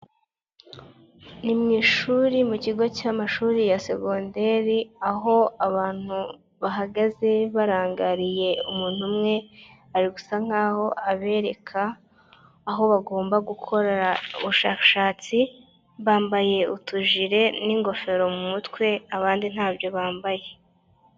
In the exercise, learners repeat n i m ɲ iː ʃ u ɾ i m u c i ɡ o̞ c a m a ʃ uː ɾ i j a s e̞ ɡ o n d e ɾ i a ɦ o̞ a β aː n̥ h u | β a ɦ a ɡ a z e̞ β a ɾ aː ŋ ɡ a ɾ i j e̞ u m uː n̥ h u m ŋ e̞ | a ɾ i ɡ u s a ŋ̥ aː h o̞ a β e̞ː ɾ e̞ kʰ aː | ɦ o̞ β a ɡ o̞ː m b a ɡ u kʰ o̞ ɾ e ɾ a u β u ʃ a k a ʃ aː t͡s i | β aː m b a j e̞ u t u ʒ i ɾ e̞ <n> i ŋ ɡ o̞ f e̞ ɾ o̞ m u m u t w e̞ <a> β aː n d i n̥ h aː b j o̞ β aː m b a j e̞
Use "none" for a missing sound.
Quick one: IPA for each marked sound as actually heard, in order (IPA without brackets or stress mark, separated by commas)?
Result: n, a